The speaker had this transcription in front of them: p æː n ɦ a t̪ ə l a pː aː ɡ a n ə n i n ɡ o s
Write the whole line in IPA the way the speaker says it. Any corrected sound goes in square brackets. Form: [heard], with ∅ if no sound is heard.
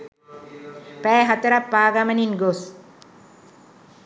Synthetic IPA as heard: p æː [∅] ɦ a t̪ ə [ɾ] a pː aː ɡ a [m] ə n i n ɡ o s